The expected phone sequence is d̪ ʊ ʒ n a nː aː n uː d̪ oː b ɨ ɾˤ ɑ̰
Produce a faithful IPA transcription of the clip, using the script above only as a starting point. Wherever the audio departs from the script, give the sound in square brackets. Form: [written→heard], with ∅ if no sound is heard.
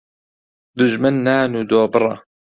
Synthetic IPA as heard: d̪ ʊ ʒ [n→m] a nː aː n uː d̪ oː b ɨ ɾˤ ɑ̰